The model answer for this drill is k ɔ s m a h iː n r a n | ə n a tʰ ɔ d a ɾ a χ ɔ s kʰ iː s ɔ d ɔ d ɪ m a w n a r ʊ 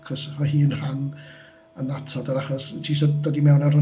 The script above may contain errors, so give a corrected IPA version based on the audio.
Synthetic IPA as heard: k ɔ s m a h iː n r a n | ə n a tʰ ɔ d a ɾ a χ ɔ s tʰ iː s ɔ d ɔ d i m ɛ w n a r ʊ